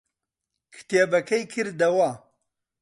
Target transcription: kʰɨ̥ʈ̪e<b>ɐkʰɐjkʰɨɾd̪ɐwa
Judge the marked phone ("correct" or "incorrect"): correct